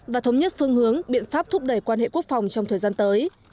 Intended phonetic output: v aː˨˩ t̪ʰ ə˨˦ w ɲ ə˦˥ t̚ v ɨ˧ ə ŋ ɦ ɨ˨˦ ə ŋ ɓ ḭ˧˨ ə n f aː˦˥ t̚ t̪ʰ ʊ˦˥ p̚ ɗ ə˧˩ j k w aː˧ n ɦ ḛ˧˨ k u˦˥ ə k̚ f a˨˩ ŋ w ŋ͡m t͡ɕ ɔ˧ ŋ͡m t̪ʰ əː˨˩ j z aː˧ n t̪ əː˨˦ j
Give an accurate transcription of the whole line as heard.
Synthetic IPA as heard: v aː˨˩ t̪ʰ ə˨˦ w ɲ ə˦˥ t̚ f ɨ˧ ə ŋ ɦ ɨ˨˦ ə ŋ ɓ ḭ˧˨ ə n f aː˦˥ p̚ t̪ʰ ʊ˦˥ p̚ ɗ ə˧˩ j k w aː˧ n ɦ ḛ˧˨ k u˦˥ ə k̚ f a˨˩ w ŋ͡m t͡ɕ ɔ˧ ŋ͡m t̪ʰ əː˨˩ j z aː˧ n t̪ əː˨˦ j